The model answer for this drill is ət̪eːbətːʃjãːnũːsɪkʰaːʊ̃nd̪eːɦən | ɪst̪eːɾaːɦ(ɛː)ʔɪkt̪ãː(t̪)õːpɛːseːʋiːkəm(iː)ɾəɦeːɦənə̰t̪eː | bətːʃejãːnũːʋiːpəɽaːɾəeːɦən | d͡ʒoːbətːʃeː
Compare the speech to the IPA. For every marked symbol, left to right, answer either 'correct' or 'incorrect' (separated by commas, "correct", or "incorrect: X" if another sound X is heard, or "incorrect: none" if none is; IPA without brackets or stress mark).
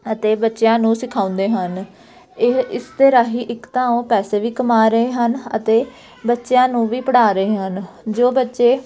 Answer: incorrect: iː, incorrect: none, incorrect: aː